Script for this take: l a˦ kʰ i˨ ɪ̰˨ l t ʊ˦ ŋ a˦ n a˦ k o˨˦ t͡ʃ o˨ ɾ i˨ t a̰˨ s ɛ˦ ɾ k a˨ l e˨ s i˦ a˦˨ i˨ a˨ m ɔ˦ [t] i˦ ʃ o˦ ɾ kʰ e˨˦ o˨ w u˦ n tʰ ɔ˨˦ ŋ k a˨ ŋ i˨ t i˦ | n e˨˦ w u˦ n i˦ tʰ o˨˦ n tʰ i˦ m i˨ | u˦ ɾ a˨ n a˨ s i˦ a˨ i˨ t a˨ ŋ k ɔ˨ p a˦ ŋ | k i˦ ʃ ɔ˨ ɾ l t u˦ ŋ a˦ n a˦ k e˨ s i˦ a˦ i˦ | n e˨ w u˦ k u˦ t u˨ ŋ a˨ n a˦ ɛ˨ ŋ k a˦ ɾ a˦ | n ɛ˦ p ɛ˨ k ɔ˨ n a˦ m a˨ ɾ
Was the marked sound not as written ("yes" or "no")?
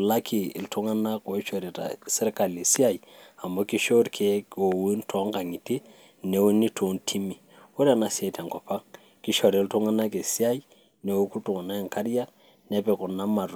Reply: yes